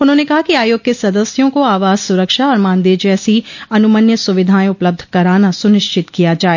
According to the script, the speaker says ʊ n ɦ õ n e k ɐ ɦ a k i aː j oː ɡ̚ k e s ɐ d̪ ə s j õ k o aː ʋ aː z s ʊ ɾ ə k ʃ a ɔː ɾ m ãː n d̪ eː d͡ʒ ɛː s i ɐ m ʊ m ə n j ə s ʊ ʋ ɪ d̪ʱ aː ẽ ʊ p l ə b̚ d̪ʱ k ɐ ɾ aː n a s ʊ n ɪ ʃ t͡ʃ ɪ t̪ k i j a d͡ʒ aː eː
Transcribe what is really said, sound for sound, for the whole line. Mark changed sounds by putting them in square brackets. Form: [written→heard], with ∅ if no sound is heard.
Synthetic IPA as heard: ʊ n ɦ õ n e k ɐ ɦ a k i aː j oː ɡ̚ k e s ɐ d̪ ə s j õ k o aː ʋ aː z s ʊ ɾ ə k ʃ a ɔː ɾ m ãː n d̪ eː d͡ʒ ɛː s i ɐ [m→n] ʊ m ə n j ə s ʊ ʋ ɪ d̪ʱ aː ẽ ʊ p l ə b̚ d̪ʱ k ɐ ɾ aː n a s ʊ n ɪ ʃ t͡ʃ ɪ t̪ k i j a d͡ʒ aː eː